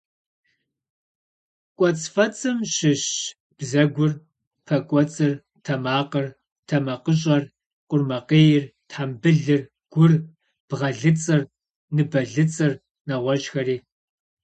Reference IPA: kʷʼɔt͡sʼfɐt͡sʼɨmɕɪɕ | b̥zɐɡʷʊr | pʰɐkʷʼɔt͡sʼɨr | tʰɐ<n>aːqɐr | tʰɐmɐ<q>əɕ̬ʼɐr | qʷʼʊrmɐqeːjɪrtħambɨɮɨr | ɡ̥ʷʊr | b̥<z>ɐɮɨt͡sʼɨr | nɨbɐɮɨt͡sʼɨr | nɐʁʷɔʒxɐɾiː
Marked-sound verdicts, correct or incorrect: incorrect, correct, incorrect

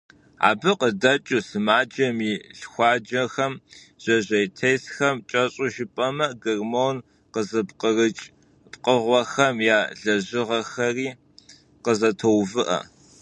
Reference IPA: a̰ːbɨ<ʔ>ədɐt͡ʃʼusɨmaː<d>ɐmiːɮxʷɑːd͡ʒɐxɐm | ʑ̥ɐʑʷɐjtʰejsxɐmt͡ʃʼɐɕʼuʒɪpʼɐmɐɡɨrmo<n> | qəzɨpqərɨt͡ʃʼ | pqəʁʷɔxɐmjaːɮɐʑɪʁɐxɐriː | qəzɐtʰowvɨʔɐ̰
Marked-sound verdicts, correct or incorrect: incorrect, incorrect, correct

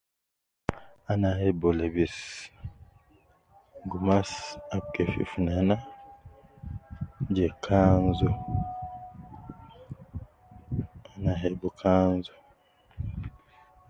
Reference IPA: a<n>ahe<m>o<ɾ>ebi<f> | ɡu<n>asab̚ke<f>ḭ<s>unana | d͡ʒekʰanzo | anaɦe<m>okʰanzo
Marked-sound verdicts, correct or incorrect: correct, incorrect, incorrect, incorrect, incorrect, correct, incorrect, incorrect

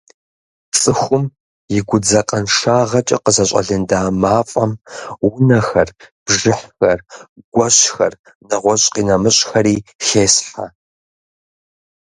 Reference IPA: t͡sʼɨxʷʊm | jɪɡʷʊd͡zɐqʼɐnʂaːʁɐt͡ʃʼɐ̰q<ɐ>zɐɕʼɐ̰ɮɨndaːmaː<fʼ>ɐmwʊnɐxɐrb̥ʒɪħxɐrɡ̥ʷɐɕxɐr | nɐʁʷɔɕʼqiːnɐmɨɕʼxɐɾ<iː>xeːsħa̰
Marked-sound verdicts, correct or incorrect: incorrect, correct, correct

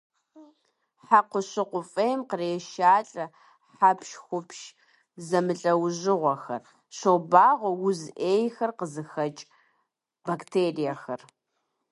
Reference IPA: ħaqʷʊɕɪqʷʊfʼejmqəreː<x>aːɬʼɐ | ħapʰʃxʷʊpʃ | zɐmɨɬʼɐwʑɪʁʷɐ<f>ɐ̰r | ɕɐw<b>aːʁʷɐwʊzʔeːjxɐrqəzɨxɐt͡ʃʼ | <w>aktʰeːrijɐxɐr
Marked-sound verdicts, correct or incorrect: incorrect, incorrect, correct, incorrect

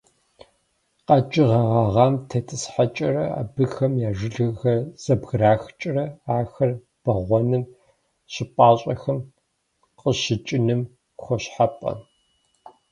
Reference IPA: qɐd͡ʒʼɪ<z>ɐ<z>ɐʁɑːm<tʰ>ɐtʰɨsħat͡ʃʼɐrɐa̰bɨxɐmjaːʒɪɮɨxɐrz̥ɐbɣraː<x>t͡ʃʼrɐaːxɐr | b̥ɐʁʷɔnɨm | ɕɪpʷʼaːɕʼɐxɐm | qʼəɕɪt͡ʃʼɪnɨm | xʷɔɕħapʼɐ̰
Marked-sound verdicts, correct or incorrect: incorrect, incorrect, correct, correct

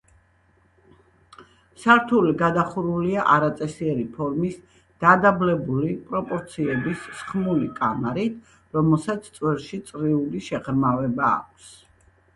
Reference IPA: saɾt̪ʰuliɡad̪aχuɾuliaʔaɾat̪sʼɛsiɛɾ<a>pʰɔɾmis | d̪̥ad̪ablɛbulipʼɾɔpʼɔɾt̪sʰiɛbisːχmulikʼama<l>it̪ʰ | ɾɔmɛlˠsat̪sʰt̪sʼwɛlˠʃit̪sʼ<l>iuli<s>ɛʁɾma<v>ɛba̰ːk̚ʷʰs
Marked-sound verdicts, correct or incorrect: incorrect, incorrect, incorrect, incorrect, correct

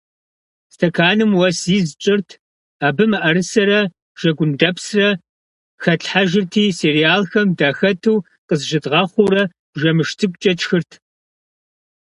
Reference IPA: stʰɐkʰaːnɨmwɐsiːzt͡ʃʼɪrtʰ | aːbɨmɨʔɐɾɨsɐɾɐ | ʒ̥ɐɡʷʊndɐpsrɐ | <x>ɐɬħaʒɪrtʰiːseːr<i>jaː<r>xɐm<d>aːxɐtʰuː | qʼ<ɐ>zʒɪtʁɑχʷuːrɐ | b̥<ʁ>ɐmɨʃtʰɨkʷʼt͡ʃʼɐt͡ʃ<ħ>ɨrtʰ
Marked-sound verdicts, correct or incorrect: correct, correct, incorrect, correct, incorrect, incorrect, incorrect

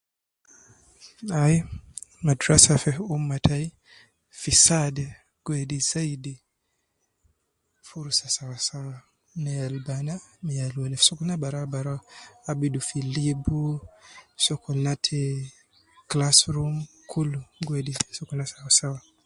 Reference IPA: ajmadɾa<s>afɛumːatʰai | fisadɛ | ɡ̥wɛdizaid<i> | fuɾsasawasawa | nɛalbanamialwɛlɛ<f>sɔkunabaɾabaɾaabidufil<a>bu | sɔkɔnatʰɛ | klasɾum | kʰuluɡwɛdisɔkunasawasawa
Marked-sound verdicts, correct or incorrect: correct, correct, correct, incorrect

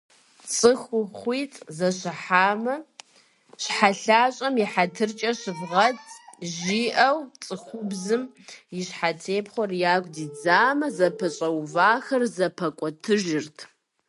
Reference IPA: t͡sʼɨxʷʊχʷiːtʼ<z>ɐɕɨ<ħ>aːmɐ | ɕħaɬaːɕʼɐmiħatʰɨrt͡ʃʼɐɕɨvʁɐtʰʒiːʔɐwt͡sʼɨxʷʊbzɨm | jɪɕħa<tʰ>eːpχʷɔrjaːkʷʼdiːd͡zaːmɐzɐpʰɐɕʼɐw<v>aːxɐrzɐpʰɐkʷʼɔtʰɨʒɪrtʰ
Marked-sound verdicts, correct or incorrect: correct, correct, correct, correct

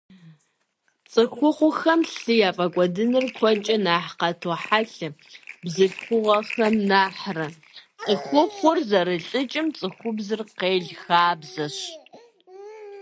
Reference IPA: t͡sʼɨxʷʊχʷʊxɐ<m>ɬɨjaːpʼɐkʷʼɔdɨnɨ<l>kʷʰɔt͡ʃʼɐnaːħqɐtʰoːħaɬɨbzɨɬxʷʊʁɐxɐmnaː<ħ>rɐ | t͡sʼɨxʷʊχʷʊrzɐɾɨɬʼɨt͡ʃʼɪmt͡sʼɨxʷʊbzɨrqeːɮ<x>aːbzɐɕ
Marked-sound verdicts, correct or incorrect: correct, incorrect, correct, correct

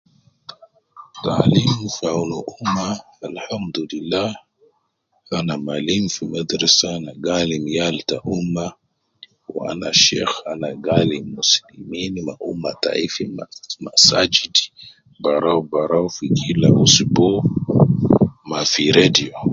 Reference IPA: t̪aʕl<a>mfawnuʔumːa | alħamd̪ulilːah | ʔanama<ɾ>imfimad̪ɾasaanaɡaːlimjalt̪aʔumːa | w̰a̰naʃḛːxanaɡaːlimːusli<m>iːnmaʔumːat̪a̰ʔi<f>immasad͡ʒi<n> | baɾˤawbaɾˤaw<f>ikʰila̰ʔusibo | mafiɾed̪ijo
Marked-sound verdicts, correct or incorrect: incorrect, incorrect, correct, correct, incorrect, correct

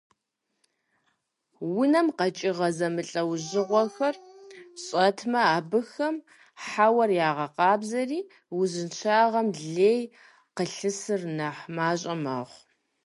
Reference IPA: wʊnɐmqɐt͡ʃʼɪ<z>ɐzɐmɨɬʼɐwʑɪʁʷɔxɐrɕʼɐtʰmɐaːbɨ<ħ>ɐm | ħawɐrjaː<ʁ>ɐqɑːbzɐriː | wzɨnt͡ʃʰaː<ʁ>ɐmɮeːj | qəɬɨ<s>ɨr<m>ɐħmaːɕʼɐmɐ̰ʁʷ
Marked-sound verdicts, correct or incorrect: incorrect, incorrect, correct, correct, correct, incorrect

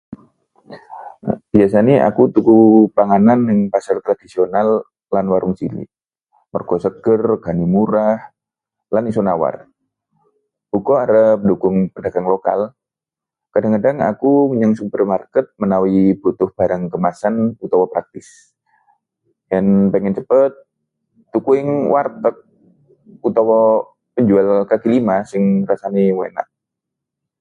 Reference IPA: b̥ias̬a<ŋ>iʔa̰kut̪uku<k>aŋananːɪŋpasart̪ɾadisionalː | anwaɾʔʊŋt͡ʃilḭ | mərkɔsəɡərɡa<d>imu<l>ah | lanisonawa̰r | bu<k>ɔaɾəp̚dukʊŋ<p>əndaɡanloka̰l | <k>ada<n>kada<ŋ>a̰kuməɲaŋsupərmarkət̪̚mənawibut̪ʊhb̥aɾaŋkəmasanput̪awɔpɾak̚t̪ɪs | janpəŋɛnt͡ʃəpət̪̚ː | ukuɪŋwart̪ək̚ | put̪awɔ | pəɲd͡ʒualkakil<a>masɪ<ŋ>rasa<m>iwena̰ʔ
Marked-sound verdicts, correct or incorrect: incorrect, incorrect, incorrect, incorrect, correct, correct, correct, incorrect, correct, incorrect, correct, incorrect

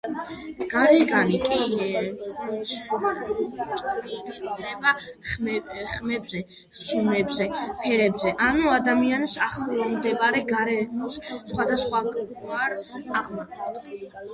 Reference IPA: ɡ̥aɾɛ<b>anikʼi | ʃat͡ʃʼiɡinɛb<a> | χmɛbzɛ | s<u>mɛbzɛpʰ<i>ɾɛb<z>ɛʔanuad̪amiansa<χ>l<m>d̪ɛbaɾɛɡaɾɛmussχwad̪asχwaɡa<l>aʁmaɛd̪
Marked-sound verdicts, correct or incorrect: incorrect, correct, correct, incorrect, correct, correct, correct, incorrect

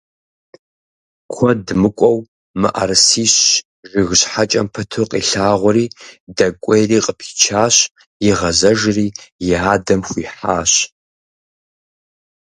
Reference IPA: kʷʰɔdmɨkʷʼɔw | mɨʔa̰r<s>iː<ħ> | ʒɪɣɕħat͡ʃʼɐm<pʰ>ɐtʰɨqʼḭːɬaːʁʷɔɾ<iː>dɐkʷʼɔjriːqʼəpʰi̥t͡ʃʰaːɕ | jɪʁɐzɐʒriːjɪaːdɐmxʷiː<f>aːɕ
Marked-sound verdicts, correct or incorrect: correct, incorrect, correct, correct, incorrect

